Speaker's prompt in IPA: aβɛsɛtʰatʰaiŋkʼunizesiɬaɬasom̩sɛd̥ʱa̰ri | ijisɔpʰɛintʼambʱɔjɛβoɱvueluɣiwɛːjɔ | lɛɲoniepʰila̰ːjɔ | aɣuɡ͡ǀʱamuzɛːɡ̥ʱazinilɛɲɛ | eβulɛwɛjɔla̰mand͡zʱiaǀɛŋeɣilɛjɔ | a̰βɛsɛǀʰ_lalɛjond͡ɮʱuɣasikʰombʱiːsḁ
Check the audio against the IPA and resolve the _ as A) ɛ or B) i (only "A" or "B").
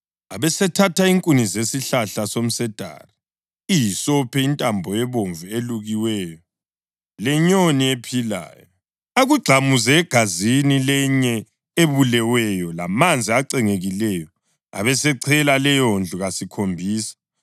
A